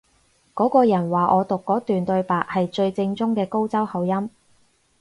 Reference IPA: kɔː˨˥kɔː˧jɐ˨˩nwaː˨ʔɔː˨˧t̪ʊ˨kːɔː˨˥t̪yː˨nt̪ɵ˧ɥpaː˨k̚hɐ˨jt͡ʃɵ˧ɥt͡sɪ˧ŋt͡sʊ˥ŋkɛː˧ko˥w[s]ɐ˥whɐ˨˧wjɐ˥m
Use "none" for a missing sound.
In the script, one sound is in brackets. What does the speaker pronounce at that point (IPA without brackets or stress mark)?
t͡s